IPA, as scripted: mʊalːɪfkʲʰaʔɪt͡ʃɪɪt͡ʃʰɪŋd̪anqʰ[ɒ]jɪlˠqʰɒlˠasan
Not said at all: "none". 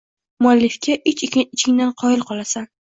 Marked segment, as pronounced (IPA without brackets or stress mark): ɒ